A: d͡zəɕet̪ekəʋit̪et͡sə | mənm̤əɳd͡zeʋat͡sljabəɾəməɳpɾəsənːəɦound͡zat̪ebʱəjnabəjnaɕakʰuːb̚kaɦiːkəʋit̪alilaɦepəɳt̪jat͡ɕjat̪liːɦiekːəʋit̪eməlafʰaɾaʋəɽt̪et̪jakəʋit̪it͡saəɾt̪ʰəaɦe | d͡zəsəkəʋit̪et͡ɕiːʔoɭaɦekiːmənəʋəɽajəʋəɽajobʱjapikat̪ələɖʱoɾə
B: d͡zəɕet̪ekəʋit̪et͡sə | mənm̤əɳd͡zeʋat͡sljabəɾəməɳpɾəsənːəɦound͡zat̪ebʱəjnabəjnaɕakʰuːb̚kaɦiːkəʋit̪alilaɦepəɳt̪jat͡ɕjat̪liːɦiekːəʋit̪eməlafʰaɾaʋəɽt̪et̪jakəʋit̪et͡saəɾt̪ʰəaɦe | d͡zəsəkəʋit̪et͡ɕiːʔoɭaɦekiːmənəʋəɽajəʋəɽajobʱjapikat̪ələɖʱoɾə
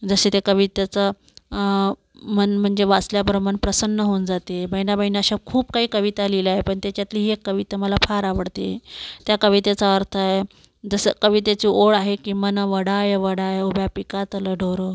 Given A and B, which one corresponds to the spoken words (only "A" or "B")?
B